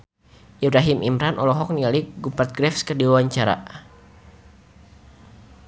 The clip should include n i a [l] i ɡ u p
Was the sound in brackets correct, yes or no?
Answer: yes